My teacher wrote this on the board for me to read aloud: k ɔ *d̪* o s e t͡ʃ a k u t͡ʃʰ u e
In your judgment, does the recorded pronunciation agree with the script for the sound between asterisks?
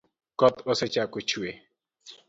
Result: no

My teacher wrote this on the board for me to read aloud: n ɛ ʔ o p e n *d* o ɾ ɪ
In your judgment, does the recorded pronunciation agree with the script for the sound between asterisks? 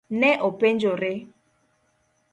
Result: no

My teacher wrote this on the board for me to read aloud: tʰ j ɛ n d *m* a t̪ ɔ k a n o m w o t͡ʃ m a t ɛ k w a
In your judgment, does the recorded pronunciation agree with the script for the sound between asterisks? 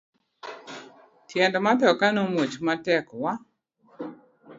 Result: yes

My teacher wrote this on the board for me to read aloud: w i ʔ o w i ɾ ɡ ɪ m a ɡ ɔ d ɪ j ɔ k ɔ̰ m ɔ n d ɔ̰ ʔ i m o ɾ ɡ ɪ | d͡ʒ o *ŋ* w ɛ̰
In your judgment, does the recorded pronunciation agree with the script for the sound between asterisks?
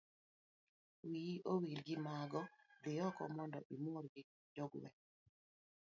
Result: no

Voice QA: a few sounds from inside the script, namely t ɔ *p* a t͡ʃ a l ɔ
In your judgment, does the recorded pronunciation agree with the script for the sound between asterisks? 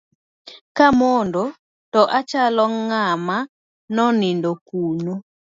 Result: no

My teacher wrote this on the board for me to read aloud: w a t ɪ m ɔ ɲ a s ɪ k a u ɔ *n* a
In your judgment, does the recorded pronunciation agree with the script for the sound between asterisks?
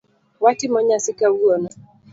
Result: yes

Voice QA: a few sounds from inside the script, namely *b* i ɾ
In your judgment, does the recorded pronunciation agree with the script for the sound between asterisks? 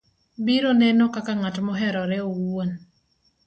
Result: yes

